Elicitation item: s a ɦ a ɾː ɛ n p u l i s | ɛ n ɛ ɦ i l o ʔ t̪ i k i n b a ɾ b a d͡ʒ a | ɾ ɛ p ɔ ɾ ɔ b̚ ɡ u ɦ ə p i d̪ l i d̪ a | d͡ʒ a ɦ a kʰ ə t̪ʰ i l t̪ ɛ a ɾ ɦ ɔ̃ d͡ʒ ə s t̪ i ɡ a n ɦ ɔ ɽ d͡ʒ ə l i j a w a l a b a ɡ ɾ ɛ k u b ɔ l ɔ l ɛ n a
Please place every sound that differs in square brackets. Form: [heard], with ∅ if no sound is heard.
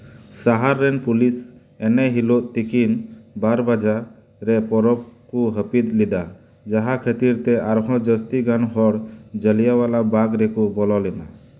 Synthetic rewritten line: s a ɦ a ɾː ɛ n p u l i s | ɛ n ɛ ɦ i l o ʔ t̪ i k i n b a ɾ b a d͡ʒ a | ɾ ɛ p ɔ ɾ ɔ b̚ [k] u ɦ ə p i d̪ l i d̪ a | d͡ʒ a ɦ a kʰ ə [t̪] i [ɾ] t̪ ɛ a ɾ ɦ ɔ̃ d͡ʒ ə s t̪ i ɡ a n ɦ ɔ ɽ d͡ʒ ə l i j a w a l a b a ɡ ɾ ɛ k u b ɔ l ɔ l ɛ n a